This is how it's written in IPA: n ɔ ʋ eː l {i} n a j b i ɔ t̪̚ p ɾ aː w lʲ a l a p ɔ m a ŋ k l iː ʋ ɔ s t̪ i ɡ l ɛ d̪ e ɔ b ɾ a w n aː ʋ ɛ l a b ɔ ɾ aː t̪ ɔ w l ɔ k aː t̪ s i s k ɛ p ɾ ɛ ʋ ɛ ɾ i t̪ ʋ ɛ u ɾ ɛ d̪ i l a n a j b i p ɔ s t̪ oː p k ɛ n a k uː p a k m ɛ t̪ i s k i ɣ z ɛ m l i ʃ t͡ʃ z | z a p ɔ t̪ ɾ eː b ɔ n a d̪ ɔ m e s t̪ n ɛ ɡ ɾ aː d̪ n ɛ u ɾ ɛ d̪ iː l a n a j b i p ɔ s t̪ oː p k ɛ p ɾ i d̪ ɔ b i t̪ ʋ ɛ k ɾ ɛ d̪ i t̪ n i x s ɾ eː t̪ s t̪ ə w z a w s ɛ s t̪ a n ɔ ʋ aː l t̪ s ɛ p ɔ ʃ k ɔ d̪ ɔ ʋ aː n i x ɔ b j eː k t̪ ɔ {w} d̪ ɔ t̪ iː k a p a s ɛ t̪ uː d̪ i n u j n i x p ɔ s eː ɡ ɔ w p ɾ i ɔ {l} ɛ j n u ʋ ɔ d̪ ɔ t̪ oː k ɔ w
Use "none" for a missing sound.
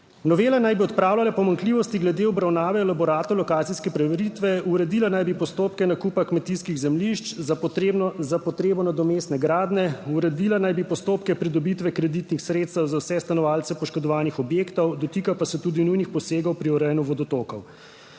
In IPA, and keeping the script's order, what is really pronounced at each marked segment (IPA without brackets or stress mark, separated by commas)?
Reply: a, w, ɾ